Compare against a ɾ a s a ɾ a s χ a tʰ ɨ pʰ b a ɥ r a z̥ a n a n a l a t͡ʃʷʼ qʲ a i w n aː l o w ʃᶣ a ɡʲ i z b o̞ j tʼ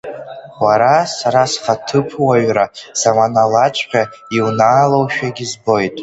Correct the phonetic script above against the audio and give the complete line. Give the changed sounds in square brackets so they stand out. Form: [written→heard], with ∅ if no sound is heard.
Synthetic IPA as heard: a ɾ a s a ɾ a s χ a tʰ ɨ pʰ [b→w] a ɥ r a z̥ a [n→m] a n a l a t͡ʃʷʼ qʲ a i w n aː l o w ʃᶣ a ɡʲ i z b o̞ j tʼ